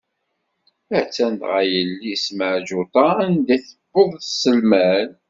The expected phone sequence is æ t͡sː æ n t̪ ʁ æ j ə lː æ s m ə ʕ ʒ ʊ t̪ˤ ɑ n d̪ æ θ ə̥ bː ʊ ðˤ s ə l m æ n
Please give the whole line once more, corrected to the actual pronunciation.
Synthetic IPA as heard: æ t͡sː æ n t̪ ʁ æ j ə lː i s m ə ʕ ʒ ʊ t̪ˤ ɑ n d̪ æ θ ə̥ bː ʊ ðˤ s ə l m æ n